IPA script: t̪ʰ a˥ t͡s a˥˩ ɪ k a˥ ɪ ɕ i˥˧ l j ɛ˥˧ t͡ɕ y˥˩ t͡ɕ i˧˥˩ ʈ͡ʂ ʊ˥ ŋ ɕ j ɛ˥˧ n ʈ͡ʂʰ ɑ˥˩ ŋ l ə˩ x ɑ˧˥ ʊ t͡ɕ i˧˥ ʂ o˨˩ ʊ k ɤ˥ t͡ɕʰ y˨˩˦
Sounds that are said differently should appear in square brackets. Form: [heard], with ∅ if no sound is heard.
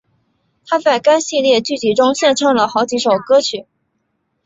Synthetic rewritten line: t̪ʰ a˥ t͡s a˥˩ ɪ k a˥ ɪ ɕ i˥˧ l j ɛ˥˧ t͡ɕ y˥˩ t͡ɕ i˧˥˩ ʈ͡ʂ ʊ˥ ŋ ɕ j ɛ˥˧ n ʈ͡ʂʰ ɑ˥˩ ŋ l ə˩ x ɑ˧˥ ʊ t͡ɕ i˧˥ ʂ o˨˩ ʊ k ɤ˥ t͡ɕʰ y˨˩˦